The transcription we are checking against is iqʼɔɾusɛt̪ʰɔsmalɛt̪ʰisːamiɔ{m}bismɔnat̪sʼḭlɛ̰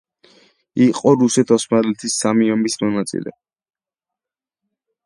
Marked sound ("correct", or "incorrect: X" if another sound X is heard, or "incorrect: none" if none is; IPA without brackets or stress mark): correct